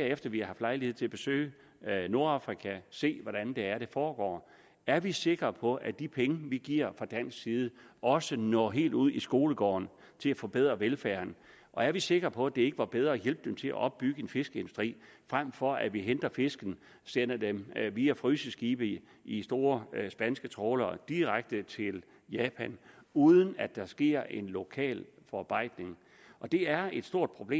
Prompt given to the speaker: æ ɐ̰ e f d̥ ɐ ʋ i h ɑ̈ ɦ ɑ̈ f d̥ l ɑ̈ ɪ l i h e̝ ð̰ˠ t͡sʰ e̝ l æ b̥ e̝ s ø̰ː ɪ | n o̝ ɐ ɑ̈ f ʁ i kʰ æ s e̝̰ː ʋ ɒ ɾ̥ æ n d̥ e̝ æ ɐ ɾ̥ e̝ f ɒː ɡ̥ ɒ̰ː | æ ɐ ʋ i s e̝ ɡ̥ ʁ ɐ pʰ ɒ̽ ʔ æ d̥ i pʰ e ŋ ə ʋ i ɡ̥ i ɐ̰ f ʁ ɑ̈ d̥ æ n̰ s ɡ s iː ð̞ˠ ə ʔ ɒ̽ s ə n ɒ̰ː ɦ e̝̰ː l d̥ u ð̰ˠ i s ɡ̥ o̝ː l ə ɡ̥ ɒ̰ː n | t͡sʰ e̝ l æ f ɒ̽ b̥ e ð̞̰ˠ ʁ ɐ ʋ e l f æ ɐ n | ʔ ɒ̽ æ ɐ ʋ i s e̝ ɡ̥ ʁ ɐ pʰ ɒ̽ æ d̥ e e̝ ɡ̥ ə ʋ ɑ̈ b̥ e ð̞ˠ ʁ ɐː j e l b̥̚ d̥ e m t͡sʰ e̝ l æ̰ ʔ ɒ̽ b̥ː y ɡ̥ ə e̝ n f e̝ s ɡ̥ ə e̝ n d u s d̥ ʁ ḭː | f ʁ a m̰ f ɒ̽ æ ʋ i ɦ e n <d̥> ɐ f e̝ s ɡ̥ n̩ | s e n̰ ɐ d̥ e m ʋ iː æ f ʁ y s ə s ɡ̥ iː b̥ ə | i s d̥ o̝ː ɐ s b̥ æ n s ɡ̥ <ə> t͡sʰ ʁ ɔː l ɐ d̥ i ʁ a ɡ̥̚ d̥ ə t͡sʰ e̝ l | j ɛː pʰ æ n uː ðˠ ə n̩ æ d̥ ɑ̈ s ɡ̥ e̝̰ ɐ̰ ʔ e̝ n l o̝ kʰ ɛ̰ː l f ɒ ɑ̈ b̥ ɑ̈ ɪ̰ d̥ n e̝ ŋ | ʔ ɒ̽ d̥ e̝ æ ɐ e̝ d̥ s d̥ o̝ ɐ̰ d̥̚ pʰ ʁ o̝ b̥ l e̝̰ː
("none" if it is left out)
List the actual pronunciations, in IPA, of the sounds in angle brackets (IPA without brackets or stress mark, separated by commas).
d̥, ə